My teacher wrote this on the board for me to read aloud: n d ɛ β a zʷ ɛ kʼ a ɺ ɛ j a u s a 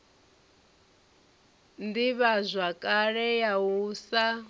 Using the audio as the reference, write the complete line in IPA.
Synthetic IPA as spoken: n d i β a zʷ a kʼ a ɺ ɛ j a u s a